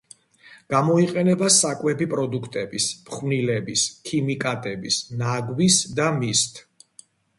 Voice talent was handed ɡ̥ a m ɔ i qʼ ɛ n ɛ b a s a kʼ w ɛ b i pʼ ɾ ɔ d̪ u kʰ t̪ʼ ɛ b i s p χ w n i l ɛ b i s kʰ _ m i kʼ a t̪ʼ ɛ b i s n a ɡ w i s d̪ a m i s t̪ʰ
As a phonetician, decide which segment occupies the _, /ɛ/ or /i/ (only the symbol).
i